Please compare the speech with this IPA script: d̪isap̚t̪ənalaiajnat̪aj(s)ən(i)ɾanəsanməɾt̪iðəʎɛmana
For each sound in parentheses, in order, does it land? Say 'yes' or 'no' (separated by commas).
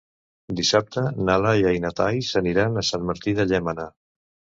yes, yes